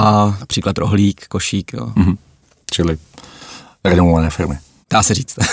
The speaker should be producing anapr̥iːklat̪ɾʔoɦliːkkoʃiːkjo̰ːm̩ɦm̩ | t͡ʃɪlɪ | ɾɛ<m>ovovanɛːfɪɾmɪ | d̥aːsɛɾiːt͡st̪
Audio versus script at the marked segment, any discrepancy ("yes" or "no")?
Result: yes